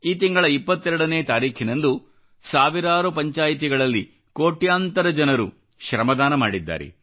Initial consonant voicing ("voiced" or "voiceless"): voiceless